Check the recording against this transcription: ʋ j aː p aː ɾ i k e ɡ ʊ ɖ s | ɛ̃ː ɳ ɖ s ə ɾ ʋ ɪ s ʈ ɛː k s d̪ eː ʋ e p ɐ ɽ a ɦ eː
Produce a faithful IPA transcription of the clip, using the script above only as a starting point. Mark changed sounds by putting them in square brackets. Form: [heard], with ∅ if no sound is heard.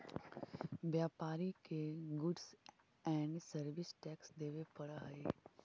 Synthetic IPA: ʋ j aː p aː ɾ i k e ɡ ʊ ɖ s | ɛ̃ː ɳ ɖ s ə ɾ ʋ ɪ s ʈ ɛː k s d̪ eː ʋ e p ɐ ɽ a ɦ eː